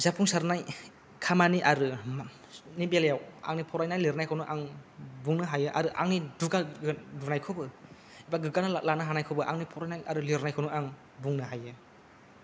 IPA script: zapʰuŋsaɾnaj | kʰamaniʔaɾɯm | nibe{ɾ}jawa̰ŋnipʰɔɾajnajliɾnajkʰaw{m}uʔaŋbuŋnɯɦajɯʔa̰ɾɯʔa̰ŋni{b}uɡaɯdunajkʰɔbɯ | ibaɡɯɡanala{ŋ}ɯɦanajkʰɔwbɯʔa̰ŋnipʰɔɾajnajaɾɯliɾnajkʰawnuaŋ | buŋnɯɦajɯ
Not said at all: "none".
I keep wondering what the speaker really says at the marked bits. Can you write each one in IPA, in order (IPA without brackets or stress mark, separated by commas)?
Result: l, n, d, n